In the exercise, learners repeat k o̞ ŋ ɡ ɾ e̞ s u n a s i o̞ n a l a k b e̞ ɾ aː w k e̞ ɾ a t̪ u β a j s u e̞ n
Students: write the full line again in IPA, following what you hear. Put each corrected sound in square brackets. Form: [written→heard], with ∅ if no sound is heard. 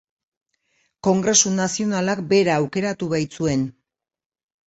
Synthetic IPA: k o̞ ŋ ɡ ɾ e̞ s u n a s i o̞ n a l a k b e̞ ɾ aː w k e̞ ɾ a t̪ u β a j [s→t͡s] u e̞ n